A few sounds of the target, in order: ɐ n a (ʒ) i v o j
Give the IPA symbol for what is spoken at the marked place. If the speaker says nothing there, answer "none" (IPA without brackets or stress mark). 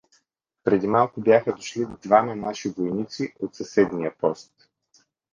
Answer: ʃ